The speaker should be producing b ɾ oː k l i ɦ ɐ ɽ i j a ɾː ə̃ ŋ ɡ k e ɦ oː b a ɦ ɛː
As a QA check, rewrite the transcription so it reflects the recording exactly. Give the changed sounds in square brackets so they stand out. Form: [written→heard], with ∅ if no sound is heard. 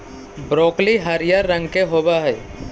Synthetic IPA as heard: b ɾ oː k l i ɦ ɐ [ɽ→ɾ] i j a ɾː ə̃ ŋ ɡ k e ɦ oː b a ɦ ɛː